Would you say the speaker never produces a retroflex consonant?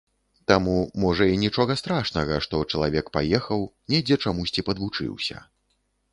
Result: no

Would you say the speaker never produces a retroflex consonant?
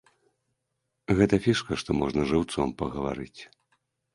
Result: no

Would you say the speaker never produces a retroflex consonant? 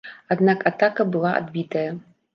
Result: yes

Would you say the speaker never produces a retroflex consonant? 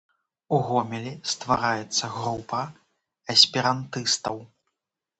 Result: yes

